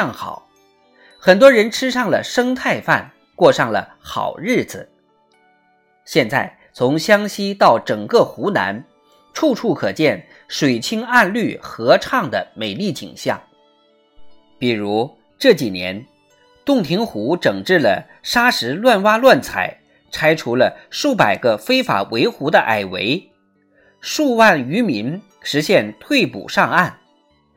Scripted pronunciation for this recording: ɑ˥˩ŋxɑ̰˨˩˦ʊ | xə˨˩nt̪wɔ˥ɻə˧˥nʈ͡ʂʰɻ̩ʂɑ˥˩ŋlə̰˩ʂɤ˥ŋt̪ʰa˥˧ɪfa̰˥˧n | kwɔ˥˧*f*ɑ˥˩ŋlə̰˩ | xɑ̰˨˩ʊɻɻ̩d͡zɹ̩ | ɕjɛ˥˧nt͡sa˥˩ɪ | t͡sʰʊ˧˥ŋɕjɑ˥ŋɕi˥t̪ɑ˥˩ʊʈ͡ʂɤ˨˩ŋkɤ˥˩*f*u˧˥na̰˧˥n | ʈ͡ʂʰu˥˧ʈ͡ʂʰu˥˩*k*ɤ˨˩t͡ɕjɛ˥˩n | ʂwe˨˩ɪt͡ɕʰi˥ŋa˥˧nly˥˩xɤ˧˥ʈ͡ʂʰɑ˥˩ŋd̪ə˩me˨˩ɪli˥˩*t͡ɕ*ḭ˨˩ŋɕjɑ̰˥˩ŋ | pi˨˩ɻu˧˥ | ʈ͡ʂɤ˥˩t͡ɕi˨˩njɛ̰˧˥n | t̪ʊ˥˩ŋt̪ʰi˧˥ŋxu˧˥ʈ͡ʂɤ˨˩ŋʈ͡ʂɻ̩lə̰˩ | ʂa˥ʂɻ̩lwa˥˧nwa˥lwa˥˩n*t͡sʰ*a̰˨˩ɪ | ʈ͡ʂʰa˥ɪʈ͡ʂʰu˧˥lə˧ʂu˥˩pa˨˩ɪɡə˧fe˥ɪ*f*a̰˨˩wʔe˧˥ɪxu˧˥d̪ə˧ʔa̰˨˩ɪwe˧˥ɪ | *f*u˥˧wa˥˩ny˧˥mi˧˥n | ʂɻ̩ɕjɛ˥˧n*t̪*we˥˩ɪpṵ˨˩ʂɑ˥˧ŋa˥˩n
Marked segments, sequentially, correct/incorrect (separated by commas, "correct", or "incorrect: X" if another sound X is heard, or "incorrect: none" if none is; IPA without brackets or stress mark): incorrect: ʂ, incorrect: x, incorrect: kʰ, correct, correct, correct, incorrect: ʂ, incorrect: t̪ʰ